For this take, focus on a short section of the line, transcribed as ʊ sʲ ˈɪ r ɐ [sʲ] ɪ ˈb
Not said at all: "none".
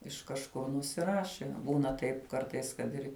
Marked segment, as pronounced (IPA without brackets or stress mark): ʃʲ